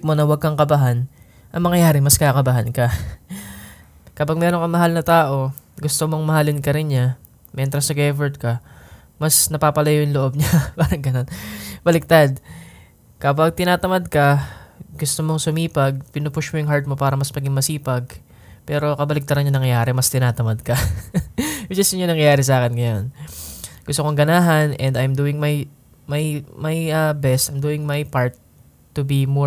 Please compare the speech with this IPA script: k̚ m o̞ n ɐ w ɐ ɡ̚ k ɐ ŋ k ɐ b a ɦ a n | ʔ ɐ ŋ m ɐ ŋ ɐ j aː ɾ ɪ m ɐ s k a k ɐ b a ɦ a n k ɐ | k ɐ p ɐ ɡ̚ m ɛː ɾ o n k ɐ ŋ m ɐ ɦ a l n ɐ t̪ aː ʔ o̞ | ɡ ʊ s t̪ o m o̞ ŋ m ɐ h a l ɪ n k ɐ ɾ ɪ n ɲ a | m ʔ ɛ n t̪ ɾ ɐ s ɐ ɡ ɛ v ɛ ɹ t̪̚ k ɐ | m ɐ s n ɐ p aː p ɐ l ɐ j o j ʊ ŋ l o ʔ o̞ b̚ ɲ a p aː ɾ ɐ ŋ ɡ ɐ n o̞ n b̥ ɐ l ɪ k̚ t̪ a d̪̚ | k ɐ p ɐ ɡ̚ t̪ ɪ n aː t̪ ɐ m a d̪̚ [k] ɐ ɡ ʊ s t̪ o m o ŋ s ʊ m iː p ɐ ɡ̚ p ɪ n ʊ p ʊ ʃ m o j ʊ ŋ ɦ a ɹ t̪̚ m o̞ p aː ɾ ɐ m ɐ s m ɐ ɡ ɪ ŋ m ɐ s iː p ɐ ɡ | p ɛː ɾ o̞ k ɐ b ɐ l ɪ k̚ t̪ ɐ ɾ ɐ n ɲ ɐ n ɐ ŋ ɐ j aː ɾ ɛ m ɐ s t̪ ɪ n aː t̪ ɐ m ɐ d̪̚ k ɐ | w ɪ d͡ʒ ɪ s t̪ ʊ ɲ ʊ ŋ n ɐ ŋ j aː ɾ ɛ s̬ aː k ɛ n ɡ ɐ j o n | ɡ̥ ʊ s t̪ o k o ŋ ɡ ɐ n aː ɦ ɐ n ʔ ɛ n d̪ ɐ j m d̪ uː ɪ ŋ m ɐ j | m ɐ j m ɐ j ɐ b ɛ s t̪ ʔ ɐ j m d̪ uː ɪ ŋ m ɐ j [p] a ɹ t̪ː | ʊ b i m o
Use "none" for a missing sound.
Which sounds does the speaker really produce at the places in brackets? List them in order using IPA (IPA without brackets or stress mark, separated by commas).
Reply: k, p